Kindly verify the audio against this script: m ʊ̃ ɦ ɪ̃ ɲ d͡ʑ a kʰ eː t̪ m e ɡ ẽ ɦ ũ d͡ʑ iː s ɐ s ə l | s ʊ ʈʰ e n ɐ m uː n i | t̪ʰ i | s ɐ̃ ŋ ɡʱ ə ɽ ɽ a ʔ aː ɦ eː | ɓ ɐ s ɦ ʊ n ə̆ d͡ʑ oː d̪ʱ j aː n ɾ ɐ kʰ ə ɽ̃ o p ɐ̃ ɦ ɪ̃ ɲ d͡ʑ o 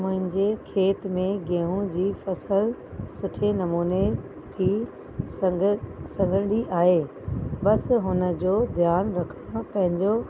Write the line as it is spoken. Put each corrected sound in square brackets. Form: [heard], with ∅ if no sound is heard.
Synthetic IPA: m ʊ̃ ɦ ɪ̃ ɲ d͡ʑ [e] kʰ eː t̪ m [ẽ] ɡ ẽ ɦ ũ d͡ʑ iː [f] ɐ s ə l | s ʊ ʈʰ e n ɐ m uː n [e] | t̪ʰ i | s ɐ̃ ŋ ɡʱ ə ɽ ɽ [i] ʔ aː ɦ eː | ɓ ɐ s ɦ ʊ n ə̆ d͡ʑ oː d̪ʱ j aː n ɾ ɐ kʰ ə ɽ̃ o p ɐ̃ ɦ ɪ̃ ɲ d͡ʑ o

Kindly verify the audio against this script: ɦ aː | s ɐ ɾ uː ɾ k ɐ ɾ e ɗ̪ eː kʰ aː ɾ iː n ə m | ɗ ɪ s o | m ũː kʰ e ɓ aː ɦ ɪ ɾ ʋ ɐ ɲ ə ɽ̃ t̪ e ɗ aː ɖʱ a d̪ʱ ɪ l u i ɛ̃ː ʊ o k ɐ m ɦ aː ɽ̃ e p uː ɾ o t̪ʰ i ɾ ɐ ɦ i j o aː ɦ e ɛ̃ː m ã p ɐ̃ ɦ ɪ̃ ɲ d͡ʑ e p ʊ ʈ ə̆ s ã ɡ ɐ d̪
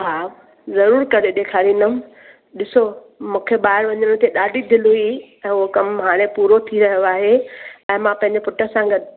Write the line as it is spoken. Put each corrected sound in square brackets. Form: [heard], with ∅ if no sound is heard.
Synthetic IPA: ɦ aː | [z] ɐ ɾ uː ɾ k ɐ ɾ e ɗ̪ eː kʰ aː ɾ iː n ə m | ɗ ɪ s o | m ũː kʰ e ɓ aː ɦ ɪ ɾ ʋ ɐ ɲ ə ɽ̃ t̪ e ɗ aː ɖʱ [i] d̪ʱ ɪ l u i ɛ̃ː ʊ o k ɐ m ɦ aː ɽ̃ e p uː ɾ o t̪ʰ i ɾ ɐ ɦ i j o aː ɦ e ɛ̃ː m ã p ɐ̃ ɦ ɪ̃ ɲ d͡ʑ e p ʊ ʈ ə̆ s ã ɡ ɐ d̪

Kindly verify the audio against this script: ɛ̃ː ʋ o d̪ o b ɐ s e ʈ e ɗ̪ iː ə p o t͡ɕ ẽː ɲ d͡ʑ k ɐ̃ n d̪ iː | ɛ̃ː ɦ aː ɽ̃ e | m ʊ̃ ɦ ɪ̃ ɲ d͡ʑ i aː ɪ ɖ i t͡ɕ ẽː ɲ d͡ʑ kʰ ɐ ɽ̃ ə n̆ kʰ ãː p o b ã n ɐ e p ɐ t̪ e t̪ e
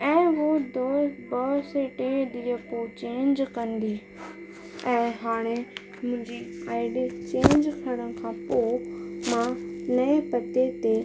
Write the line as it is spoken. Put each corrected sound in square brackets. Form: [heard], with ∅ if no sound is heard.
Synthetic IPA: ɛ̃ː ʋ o d̪ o b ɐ s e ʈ e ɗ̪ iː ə p o t͡ɕ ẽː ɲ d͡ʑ k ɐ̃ n d̪ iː | ɛ̃ː ɦ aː ɽ̃ e | m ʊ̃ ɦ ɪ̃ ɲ d͡ʑ i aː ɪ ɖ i t͡ɕ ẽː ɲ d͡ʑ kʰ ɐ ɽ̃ ə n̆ kʰ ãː p o [m] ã n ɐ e p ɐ t̪ e t̪ e

